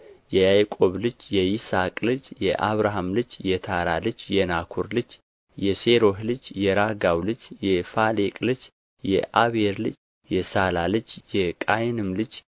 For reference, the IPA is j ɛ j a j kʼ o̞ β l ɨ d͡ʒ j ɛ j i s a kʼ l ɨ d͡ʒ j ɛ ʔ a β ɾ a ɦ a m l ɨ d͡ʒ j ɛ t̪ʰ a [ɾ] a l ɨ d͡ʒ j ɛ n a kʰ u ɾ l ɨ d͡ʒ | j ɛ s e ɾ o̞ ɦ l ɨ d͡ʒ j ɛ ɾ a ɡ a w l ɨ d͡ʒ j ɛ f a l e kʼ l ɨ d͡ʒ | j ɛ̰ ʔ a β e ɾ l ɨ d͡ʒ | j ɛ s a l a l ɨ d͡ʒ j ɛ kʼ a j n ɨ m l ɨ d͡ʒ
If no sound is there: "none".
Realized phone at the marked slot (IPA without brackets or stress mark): ɾ